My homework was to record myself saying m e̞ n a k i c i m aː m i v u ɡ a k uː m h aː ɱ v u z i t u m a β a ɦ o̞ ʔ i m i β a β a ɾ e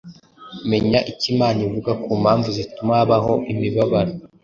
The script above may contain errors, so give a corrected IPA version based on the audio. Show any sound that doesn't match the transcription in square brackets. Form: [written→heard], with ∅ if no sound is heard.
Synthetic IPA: m e̞ [n→ɲ] a [k→ʔ] i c i m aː [m→n] i v u ɡ a k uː m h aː ɱ v u z i t u m a β a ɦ o̞ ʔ i m i β a β a ɾ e